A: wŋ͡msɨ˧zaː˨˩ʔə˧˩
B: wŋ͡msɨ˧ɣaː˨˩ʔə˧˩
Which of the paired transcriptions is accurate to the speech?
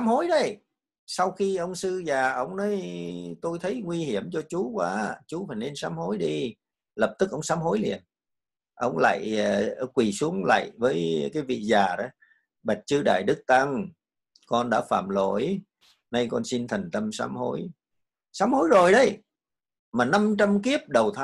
A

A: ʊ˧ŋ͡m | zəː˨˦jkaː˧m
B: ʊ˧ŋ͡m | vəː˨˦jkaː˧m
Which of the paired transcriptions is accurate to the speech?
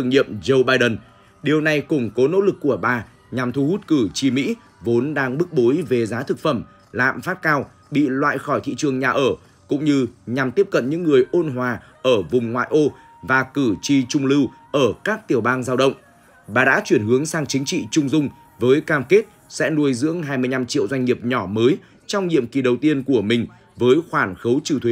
B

